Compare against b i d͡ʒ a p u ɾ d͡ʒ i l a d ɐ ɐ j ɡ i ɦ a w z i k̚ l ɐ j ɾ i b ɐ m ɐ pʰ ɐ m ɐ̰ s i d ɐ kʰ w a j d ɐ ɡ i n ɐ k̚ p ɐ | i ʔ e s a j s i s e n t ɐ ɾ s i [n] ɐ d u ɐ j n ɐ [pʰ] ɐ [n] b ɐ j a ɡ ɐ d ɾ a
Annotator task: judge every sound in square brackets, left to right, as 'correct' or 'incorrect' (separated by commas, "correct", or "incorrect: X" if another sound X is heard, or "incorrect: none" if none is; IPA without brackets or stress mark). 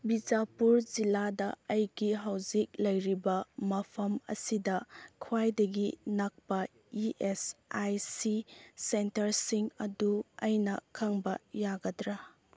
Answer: incorrect: ŋ, incorrect: kʰ, incorrect: ŋ